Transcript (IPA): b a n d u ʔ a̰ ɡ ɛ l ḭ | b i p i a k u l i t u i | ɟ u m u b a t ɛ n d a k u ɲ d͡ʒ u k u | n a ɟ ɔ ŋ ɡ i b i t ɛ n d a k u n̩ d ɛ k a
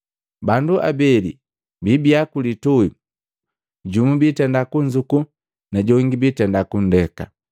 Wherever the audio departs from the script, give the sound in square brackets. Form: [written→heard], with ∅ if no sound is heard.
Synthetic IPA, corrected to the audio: b a n d u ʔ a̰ [ɡ→b] ɛ l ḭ | b i [p→b] i a k u l i t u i | ɟ u m u b [a→i] t ɛ n d a k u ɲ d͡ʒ u k u | n a ɟ ɔ ŋ ɡ i b i t ɛ n d a k u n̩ d ɛ k a